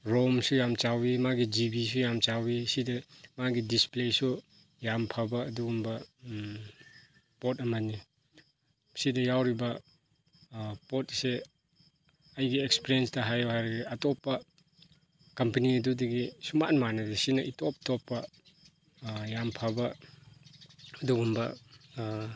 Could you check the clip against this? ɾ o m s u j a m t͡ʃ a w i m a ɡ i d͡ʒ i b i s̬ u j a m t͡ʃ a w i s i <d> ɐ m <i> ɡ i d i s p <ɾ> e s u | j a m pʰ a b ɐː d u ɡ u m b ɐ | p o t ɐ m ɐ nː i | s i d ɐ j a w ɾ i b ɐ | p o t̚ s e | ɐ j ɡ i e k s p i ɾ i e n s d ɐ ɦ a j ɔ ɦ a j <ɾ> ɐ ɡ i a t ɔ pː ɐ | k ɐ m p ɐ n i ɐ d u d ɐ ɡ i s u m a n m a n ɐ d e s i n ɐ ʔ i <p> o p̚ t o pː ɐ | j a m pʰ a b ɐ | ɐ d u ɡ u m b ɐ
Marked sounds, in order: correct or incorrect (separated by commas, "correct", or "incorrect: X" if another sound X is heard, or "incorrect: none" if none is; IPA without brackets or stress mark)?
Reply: correct, incorrect: a, incorrect: l, correct, incorrect: t